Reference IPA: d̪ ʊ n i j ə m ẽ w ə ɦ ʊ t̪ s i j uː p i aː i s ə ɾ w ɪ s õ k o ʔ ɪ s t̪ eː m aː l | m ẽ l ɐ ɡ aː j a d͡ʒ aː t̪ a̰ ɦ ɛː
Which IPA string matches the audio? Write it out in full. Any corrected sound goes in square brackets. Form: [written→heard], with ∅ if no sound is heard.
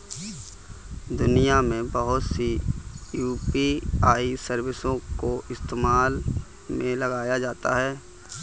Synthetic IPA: d̪ ʊ n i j [ə→a] m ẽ [w→b] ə ɦ ʊ t̪ s i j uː p i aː i s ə ɾ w ɪ s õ k o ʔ ɪ s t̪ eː m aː l | m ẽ l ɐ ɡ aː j a d͡ʒ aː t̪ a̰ ɦ ɛː

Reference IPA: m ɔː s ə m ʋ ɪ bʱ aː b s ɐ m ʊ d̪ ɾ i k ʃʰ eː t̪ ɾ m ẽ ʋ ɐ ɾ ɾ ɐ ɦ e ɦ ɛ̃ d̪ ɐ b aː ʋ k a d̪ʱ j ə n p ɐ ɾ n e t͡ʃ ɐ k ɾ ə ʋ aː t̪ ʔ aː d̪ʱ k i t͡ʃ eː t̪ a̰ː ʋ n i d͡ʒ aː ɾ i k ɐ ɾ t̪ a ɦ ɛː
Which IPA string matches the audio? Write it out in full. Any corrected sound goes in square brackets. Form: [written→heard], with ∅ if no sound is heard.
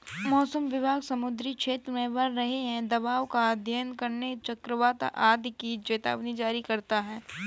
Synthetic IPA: m ɔː s ə m ʋ ɪ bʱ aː [b→ɡ] s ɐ m ʊ d̪ ɾ i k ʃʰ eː t̪ ɾ m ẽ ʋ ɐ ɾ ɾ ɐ ɦ e ɦ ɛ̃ d̪ ɐ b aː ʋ k a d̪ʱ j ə n [p→k] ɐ ɾ n e t͡ʃ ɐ k ɾ ə ʋ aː t̪ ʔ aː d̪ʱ k i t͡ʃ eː t̪ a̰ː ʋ n i d͡ʒ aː ɾ i k ɐ ɾ t̪ a ɦ ɛː

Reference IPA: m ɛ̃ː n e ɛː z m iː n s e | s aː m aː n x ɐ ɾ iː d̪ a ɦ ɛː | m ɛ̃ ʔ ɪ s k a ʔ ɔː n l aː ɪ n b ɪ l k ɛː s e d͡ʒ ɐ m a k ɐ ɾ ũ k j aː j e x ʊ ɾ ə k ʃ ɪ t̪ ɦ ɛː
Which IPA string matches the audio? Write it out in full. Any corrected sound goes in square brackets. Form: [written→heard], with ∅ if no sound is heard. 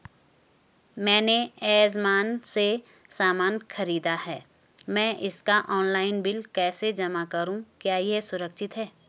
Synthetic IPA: m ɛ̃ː n e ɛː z m [iː→aː] n s e | s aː m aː n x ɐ ɾ iː d̪ a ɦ ɛː | m ɛ̃ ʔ ɪ s k a ʔ ɔː n l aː ɪ n b ɪ l k ɛː s e d͡ʒ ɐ m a k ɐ ɾ ũ k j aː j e [x→s] ʊ ɾ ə k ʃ ɪ t̪ ɦ ɛː

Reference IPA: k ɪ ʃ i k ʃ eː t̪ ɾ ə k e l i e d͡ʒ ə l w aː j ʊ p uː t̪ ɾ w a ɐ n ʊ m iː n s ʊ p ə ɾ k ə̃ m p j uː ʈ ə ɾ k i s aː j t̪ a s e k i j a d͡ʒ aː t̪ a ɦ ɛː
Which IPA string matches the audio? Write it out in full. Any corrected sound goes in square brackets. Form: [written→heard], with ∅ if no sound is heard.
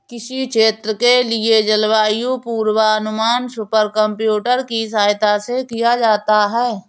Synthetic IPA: k ɪ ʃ i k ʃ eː t̪ ɾ ə k e l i e d͡ʒ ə l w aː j [ʊ→u] p uː [t̪→∅] ɾ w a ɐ n ʊ m [iː→aː] n s ʊ p ə ɾ k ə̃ m p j uː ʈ ə ɾ k i s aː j t̪ a s e k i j a d͡ʒ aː t̪ a ɦ ɛː

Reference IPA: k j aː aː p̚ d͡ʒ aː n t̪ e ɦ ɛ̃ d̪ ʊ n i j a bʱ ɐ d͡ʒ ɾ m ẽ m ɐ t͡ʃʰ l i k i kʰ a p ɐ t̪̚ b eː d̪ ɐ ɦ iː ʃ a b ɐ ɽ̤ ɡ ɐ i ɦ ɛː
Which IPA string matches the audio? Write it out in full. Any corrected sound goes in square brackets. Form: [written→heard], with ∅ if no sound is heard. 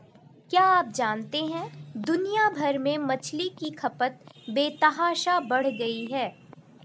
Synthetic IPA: k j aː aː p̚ d͡ʒ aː n t̪ e ɦ ɛ̃ d̪ ʊ n i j a bʱ ɐ [d͡ʒ→∅] ɾ m ẽ m ɐ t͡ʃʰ l i k i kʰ [a→ɐ] p [ɐ→ə] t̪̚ b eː [d̪→t̪] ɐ ɦ [iː→aː] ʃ a b ɐ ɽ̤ ɡ ɐ i ɦ ɛː

